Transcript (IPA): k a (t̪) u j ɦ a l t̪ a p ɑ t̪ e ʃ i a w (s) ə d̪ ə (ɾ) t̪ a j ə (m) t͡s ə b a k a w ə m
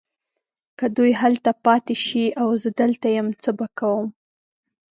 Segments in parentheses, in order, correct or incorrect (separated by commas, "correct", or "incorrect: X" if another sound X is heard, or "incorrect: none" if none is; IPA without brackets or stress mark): incorrect: d̪, incorrect: z, incorrect: l, correct